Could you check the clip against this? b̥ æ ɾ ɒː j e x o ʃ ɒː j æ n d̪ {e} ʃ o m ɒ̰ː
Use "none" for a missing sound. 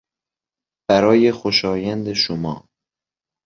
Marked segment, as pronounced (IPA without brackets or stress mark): e